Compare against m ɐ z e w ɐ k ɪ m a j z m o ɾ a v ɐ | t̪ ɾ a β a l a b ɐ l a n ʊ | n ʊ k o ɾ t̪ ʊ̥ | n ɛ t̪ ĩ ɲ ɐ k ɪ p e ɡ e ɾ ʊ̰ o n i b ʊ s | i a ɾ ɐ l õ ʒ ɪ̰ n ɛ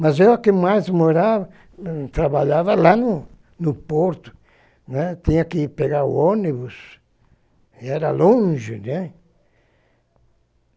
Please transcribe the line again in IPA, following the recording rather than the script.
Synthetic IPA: m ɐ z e w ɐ k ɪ m a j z m o ɾ a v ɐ | t̪ ɾ a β a ʎ a v ɐ l a n ʊ | n ʊ p o ɾ t̪ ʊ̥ | n ɛ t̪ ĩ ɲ ɐ k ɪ p e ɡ a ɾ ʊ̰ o n i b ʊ s | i ɛ ɾ ɐ l õ ʒ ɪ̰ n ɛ